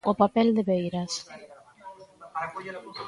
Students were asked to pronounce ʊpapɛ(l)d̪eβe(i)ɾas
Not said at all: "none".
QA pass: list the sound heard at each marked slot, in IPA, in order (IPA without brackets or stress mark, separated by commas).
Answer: l, j